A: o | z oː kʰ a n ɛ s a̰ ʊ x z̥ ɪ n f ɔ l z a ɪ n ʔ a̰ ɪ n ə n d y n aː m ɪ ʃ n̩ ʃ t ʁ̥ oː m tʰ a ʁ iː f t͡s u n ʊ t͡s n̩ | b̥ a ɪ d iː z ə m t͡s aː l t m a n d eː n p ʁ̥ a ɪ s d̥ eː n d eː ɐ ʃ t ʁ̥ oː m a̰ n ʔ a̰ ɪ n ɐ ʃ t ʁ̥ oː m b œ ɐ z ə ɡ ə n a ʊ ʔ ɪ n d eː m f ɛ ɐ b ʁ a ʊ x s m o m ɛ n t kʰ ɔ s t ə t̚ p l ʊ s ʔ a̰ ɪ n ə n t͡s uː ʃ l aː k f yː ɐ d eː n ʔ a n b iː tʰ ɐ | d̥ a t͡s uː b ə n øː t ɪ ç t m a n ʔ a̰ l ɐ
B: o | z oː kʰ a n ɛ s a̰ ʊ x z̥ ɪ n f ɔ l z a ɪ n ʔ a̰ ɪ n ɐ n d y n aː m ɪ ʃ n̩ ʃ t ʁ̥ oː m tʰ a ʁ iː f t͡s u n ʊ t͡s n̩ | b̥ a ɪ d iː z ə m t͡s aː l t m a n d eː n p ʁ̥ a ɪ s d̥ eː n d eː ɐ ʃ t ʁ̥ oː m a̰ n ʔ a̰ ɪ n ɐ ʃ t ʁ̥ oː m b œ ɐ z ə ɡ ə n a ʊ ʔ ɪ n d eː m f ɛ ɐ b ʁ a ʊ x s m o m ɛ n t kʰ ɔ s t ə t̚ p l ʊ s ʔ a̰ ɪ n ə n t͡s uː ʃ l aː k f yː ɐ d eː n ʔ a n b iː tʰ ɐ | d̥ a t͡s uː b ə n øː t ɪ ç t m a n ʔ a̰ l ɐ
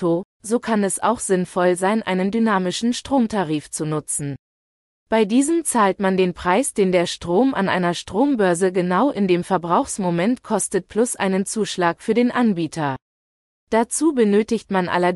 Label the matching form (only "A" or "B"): A